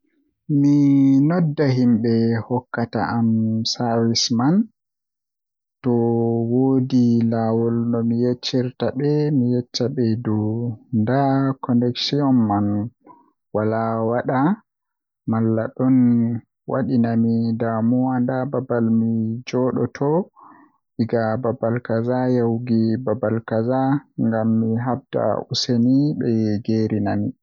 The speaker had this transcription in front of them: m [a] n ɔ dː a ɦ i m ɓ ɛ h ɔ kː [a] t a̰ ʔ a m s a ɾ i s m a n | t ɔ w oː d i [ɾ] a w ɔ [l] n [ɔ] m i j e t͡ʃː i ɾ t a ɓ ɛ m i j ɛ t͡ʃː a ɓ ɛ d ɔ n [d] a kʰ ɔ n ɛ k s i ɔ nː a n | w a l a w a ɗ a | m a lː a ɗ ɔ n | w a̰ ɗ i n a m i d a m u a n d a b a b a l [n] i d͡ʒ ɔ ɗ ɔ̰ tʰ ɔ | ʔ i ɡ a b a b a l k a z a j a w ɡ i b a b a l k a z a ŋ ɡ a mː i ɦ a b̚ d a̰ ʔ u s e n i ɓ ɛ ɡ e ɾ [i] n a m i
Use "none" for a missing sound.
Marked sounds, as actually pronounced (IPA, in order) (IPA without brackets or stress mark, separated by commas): i, a, l, l, ɔ, d, m, i